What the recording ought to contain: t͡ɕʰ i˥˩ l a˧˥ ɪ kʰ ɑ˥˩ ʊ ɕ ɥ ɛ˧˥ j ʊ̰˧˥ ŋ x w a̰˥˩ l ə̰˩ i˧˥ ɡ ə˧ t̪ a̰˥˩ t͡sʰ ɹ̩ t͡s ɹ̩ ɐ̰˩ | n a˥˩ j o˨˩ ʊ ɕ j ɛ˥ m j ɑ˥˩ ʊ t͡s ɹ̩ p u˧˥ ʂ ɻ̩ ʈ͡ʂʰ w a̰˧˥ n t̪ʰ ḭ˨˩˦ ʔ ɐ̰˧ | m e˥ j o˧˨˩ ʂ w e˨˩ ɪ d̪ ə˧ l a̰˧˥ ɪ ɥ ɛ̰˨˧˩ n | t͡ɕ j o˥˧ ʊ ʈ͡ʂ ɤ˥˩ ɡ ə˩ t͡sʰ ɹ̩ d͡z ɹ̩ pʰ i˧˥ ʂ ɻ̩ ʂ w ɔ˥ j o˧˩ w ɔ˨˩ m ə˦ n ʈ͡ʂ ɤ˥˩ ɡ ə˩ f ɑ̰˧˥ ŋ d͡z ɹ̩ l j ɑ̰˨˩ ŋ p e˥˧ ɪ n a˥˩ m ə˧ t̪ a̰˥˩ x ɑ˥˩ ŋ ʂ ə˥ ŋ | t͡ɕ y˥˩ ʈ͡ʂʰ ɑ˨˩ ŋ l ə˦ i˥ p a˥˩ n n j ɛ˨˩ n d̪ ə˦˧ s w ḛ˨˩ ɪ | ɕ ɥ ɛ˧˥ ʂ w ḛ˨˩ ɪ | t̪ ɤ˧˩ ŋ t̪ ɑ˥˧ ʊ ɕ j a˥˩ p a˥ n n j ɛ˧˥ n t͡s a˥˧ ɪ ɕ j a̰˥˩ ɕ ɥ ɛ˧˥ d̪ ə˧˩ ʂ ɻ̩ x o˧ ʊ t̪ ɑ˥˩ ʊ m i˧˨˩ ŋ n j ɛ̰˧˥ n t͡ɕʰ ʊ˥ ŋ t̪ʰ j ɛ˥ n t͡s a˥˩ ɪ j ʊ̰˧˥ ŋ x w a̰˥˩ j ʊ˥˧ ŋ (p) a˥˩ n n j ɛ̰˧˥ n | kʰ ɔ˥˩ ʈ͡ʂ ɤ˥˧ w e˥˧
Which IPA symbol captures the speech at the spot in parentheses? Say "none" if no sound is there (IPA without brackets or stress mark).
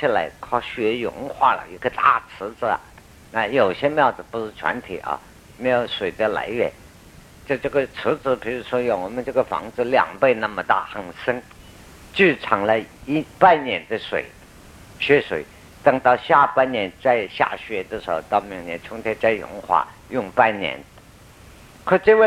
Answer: p